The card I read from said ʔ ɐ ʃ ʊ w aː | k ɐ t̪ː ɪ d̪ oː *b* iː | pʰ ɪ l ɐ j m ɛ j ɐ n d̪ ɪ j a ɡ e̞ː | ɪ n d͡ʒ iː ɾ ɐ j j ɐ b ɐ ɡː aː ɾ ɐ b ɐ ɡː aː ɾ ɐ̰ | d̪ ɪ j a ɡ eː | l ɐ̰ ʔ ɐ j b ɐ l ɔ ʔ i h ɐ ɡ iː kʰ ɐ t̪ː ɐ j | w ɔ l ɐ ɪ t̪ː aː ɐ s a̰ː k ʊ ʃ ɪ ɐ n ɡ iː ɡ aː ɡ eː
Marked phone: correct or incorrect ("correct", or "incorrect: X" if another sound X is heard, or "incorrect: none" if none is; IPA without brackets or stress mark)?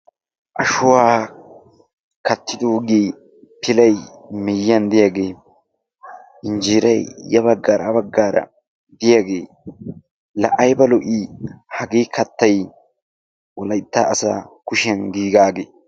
incorrect: ɡ